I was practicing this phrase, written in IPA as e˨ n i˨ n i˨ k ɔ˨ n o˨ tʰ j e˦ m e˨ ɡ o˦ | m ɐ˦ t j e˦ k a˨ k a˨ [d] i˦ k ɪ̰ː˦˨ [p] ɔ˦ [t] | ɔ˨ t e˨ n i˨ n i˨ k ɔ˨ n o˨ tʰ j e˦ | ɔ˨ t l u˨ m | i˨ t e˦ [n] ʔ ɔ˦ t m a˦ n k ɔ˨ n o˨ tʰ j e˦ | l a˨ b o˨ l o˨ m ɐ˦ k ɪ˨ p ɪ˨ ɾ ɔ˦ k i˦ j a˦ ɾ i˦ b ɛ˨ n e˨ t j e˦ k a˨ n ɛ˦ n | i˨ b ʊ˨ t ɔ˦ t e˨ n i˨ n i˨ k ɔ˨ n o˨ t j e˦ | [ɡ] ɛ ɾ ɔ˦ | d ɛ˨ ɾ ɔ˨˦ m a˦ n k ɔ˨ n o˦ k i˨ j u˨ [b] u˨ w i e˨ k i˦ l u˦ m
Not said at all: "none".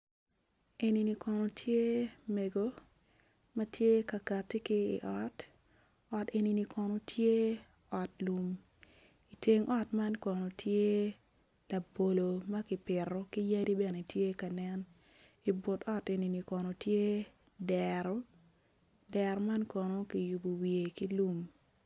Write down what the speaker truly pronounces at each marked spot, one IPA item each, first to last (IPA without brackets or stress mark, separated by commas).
t, ʔ, t, ŋ, d, b